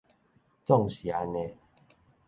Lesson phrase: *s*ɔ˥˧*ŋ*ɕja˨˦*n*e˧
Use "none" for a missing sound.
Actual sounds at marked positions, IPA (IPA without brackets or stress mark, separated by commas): t͡s, ŋ, n